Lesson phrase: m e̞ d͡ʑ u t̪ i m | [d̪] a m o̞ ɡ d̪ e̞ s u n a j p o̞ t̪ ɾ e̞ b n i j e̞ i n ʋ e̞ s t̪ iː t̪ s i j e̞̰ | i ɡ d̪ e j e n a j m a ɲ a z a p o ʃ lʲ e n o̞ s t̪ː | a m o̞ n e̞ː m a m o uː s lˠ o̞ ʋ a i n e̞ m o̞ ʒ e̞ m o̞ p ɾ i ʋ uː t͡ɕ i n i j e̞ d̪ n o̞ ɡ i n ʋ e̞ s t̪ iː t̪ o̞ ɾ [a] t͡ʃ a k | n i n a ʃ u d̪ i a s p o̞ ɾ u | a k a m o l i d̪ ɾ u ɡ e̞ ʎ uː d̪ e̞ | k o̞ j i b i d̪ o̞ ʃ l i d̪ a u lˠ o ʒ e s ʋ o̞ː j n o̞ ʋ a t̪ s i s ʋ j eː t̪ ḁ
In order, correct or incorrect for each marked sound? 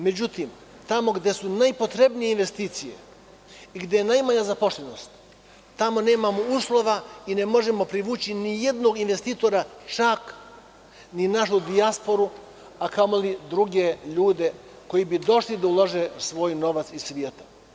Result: incorrect: t̪, correct

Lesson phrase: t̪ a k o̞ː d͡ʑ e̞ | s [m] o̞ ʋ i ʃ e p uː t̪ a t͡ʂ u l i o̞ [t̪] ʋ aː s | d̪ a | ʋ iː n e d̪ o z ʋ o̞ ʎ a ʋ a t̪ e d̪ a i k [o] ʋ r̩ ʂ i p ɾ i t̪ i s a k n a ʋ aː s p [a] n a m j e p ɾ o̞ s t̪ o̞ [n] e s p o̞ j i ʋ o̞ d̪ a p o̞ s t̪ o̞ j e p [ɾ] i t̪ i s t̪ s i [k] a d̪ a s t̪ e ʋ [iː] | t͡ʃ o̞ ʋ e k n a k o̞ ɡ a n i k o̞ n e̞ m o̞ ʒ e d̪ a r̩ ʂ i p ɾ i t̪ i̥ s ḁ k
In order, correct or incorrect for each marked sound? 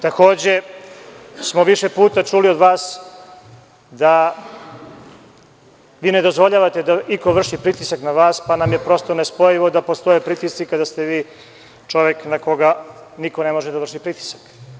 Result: correct, incorrect: d̪, correct, correct, correct, correct, correct, correct

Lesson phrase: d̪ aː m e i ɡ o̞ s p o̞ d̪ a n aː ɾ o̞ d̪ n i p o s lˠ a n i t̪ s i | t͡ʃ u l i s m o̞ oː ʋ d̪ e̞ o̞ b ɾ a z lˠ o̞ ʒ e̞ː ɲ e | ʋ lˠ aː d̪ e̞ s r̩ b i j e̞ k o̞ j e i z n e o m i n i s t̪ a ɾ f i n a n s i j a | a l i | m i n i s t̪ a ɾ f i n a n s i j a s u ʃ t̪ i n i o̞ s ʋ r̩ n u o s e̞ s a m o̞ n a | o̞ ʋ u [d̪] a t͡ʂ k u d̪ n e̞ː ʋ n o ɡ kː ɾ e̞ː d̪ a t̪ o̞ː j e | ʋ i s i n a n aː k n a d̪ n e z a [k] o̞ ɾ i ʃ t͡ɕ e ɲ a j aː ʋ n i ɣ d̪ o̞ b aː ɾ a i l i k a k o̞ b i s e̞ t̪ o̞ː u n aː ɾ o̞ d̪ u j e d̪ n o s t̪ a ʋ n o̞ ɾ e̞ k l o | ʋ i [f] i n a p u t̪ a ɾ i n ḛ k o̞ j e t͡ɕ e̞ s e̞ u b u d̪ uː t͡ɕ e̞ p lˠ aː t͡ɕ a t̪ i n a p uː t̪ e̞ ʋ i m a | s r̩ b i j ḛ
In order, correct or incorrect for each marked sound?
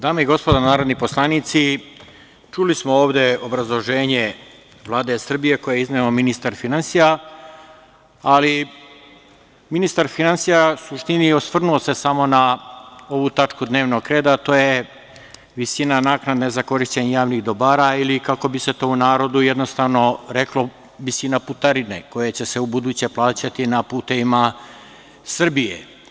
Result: incorrect: t̪, correct, incorrect: s

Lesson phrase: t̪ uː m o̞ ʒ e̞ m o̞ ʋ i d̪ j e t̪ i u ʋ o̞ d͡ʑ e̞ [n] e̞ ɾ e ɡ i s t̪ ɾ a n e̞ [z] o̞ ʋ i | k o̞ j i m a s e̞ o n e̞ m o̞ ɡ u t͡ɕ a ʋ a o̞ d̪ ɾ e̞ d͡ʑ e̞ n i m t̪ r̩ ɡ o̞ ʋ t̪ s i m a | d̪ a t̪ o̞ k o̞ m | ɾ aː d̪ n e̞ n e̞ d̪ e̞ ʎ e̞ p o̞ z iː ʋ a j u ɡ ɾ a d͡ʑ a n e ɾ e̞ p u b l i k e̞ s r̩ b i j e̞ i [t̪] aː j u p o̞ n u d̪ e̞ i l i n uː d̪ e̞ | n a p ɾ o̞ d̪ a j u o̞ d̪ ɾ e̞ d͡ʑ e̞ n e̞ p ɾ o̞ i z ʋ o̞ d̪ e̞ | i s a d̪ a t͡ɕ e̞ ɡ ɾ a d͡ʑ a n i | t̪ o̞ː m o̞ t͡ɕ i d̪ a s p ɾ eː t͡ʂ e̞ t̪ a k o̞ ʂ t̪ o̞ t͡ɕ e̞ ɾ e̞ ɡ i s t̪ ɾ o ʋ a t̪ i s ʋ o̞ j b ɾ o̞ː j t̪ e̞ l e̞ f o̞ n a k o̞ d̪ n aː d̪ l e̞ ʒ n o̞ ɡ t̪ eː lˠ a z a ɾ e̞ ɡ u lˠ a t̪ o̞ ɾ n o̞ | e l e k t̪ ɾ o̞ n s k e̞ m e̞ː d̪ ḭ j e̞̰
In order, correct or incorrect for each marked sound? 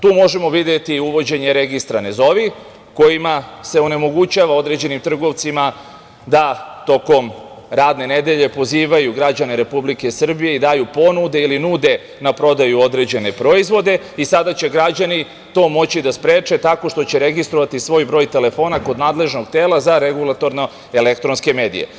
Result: incorrect: ɲ, correct, incorrect: d̪

